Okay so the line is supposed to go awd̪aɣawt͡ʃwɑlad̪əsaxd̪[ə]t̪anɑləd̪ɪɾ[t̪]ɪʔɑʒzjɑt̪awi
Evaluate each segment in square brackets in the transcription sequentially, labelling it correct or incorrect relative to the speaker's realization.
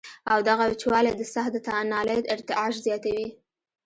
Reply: correct, correct

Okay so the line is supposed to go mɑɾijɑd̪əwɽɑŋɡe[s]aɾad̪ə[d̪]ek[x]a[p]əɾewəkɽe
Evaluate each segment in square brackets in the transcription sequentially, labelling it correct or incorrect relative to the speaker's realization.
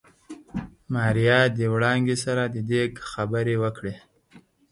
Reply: correct, correct, correct, incorrect

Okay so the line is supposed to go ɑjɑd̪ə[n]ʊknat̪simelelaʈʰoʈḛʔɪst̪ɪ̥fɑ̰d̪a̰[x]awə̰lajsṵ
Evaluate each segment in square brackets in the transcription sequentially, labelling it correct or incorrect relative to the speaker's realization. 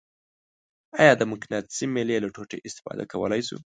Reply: incorrect, incorrect

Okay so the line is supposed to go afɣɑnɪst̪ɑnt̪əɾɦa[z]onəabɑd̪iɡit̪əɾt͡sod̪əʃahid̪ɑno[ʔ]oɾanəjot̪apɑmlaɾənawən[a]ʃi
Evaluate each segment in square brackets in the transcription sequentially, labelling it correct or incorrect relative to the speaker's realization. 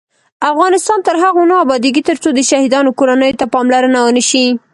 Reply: incorrect, incorrect, incorrect

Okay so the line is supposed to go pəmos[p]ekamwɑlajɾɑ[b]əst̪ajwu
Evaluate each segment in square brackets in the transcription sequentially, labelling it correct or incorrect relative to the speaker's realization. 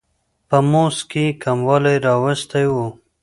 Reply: incorrect, incorrect

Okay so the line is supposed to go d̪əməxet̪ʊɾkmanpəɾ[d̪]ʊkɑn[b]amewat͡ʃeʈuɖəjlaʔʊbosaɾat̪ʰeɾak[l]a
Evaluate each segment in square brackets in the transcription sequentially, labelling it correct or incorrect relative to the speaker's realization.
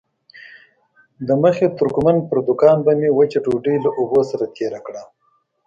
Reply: correct, correct, incorrect

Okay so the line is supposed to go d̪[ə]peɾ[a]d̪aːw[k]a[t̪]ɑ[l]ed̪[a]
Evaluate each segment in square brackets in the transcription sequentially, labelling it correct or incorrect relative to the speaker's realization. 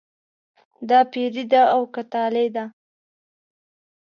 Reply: incorrect, incorrect, correct, correct, correct, correct

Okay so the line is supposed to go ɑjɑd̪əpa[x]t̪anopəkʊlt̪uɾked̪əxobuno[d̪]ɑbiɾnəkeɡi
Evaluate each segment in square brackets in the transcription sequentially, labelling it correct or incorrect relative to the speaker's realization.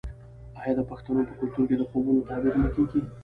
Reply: correct, incorrect

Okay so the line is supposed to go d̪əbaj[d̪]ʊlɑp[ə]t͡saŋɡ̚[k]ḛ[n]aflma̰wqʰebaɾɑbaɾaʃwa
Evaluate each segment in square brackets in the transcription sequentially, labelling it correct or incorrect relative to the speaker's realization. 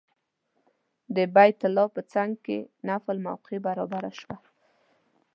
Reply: incorrect, correct, correct, correct

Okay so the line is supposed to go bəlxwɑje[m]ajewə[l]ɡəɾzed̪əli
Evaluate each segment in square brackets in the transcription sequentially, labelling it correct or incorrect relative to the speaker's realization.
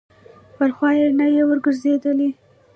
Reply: incorrect, incorrect

